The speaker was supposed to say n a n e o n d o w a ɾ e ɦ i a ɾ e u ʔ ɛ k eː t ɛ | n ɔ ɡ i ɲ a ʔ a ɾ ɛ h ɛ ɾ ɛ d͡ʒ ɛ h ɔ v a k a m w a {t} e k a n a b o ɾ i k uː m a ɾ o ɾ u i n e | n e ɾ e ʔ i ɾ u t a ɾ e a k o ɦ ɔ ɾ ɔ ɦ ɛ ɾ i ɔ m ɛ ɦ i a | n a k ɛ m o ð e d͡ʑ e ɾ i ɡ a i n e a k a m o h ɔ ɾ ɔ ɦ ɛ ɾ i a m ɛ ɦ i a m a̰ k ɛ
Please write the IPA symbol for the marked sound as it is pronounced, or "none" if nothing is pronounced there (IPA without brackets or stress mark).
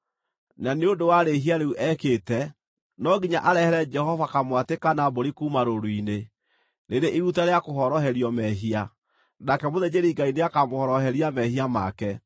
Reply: t